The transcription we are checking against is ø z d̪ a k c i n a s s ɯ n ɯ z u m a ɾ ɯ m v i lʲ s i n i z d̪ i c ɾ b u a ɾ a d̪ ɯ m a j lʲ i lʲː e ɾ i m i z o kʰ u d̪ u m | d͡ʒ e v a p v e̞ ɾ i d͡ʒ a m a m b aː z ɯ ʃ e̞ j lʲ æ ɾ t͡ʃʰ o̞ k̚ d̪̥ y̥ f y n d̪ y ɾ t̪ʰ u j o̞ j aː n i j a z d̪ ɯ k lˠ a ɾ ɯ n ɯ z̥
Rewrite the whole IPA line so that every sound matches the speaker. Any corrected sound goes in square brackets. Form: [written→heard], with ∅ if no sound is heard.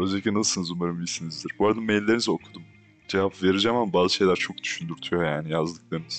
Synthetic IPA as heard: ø z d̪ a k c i n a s s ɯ n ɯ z u m a ɾ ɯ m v i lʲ s i n i z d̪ i [c→∅] ɾ b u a ɾ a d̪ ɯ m [a→e] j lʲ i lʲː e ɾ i [m→n] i z o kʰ u d̪ u m | d͡ʒ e v a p v e̞ ɾ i d͡ʒ a m a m b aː z ɯ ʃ e̞ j lʲ æ ɾ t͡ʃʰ o̞ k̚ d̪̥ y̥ [f→ʃ] y n d̪ y ɾ t̪ʰ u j o̞ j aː n i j a z d̪ ɯ k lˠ a ɾ ɯ n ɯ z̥